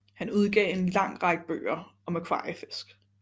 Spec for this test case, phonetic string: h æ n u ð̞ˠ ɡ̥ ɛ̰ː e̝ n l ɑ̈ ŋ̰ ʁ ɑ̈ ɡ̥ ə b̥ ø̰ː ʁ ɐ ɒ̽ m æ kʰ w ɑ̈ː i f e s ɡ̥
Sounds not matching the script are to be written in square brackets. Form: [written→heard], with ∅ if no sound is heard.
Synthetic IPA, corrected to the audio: h æ n u ð̞ˠ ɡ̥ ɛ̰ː e̝ n l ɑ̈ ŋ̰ ʁ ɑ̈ ɡ̥ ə b̥ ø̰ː [ʁ→∅] ɐ ɒ̽ m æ kʰ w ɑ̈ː i f e s ɡ̥